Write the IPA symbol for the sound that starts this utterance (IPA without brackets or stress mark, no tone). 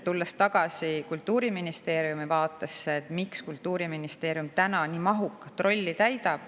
t̪